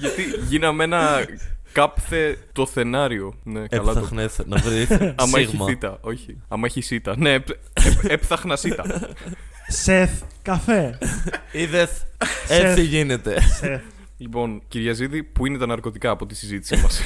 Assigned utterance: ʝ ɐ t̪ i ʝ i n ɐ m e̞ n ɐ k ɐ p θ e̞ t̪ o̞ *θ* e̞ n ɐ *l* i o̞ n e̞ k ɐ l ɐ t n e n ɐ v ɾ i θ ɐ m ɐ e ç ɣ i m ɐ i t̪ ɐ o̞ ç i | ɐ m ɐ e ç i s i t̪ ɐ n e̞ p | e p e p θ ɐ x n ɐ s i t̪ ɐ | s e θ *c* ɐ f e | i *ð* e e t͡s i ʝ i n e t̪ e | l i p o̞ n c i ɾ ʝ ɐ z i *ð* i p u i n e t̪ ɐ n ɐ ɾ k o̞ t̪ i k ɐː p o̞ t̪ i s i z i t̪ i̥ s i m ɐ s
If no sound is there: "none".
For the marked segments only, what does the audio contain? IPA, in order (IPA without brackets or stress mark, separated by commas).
θ, ɾ, k, ð, ð